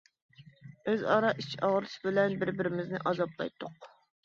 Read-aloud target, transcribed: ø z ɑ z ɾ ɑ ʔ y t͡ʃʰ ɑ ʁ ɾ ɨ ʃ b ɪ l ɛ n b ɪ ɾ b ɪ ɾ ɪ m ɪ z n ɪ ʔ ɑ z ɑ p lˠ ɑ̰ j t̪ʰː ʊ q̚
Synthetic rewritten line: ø z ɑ ɾ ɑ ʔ i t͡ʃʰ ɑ ʁ ɾ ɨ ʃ b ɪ l ɛ n b ɪ ɾ b ɪ ɾ ɪ m ɪ z n ɪ ʔ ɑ z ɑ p lˠ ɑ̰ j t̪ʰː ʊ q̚